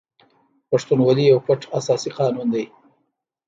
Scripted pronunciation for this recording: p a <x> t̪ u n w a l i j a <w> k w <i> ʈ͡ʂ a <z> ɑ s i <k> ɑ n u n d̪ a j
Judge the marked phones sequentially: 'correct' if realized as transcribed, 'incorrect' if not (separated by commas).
incorrect, correct, incorrect, incorrect, incorrect